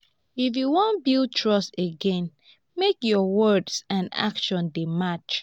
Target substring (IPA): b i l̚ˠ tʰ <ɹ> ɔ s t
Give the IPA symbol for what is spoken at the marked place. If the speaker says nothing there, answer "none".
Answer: ɹ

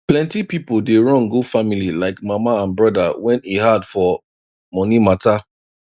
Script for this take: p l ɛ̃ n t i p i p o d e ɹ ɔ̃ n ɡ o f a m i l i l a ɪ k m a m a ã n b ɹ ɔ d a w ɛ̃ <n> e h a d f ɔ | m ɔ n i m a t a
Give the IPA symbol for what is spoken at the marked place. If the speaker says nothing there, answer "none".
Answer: n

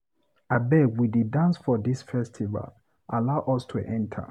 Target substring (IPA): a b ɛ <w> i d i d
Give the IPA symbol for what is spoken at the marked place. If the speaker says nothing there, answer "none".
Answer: w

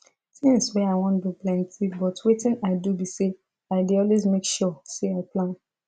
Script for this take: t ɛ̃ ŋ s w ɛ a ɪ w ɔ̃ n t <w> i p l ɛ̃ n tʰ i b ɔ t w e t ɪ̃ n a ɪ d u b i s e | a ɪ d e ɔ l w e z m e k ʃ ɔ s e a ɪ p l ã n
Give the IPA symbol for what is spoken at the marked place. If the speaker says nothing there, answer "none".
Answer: b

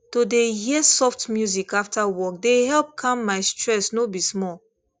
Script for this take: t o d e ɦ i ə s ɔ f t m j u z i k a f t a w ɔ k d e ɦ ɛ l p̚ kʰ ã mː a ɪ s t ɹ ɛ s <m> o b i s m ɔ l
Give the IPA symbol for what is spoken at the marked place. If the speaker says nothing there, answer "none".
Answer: n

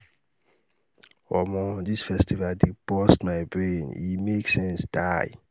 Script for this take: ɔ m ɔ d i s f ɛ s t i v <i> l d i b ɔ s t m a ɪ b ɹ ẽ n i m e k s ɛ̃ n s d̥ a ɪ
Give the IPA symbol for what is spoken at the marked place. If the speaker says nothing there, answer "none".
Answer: a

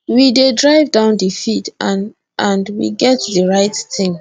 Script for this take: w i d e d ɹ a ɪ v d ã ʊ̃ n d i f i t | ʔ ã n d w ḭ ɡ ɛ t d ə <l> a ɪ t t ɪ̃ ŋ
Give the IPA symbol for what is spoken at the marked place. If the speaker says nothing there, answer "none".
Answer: ɹ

